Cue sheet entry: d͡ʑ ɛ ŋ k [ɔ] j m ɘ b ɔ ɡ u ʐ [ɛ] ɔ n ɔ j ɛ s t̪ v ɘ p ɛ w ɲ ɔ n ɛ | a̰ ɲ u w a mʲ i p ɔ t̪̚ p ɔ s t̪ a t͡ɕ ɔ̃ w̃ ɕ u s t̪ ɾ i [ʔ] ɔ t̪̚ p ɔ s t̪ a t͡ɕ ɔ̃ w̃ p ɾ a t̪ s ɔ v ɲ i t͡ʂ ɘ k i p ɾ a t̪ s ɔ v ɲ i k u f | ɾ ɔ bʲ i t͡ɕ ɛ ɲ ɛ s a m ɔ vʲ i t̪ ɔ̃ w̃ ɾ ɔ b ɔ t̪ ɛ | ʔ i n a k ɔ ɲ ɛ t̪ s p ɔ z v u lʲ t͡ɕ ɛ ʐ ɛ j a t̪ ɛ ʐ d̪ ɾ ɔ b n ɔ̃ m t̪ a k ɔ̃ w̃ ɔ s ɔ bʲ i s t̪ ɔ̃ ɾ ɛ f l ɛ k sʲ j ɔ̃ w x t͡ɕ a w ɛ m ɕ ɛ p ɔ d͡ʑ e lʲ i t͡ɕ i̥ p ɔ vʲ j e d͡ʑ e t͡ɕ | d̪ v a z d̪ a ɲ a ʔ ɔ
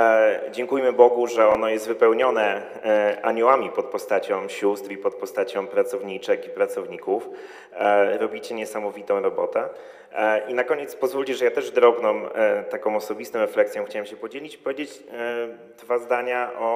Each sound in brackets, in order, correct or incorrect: incorrect: u, correct, incorrect: p

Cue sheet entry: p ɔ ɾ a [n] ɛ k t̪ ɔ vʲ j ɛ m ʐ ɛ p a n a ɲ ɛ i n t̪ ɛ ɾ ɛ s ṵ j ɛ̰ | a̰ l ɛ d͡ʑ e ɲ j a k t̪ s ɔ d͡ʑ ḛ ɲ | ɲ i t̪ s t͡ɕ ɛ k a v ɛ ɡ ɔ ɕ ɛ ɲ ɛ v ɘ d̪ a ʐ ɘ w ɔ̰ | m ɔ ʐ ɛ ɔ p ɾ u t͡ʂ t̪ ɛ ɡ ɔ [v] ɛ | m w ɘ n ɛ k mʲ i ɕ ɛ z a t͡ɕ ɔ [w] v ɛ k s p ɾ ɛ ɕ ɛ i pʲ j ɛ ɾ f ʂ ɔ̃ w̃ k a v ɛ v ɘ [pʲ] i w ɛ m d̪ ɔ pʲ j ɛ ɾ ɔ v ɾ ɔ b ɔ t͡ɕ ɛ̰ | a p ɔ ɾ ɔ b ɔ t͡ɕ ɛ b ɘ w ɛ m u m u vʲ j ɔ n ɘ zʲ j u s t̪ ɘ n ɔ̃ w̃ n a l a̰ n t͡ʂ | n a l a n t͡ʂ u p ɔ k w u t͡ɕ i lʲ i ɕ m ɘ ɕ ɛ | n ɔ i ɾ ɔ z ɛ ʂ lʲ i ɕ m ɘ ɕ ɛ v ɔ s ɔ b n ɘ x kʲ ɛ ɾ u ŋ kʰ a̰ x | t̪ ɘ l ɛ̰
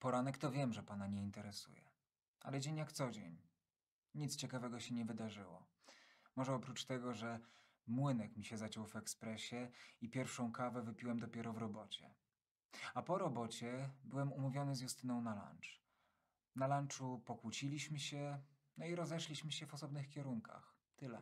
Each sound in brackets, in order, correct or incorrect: correct, incorrect: ʐ, correct, correct

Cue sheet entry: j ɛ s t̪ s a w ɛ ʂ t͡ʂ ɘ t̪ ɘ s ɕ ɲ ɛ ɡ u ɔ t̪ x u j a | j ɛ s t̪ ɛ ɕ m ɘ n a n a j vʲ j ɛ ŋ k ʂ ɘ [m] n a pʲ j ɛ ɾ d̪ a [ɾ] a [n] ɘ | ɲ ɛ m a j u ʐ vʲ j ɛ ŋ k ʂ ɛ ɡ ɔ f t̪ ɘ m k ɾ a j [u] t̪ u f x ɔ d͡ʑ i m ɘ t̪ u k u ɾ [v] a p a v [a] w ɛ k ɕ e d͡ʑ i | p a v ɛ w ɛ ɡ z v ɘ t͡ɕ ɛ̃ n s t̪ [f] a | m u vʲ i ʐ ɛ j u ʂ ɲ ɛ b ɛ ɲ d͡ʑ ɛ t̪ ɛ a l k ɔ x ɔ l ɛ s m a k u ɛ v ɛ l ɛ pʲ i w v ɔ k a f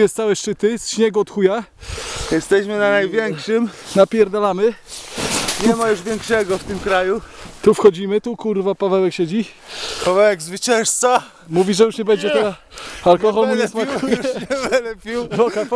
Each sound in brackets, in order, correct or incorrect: correct, incorrect: l, incorrect: m, correct, correct, incorrect: ɛ, incorrect: s

